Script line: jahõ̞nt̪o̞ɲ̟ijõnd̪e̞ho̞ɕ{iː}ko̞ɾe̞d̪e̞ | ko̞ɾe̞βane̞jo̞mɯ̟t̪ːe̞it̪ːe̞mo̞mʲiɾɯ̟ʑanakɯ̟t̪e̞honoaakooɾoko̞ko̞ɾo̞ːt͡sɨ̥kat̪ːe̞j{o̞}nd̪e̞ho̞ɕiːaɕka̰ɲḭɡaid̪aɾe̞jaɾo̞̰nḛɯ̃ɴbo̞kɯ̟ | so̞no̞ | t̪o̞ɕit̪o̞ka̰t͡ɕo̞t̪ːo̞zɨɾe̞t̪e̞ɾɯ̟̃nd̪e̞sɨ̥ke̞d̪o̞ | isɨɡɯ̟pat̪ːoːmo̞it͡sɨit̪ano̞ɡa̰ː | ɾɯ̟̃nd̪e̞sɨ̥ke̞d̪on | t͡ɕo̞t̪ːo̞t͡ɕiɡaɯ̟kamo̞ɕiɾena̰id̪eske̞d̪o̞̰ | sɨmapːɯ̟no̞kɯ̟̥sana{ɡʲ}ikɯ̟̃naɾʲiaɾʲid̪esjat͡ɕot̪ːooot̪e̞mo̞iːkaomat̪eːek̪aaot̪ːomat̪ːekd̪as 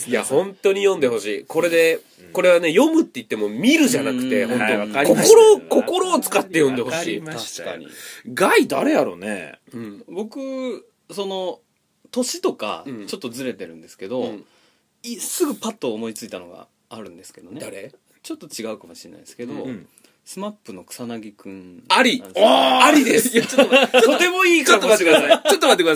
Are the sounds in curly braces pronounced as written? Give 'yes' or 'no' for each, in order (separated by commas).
yes, no, yes